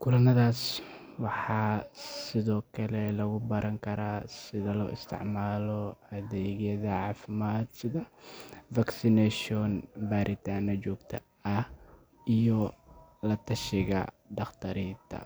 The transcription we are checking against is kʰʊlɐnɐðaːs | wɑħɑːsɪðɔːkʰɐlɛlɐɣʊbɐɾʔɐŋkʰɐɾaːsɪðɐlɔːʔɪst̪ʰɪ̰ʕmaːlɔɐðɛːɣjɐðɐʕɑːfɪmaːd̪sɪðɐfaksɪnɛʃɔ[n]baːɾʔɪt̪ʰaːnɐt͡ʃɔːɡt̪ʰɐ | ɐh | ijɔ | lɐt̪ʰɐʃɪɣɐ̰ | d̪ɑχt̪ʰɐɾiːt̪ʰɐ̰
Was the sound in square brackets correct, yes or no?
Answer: yes